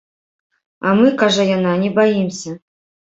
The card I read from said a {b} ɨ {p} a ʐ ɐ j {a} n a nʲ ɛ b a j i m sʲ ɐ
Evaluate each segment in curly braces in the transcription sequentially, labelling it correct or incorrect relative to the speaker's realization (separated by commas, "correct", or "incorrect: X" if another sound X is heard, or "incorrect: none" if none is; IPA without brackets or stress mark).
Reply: incorrect: m, incorrect: k, correct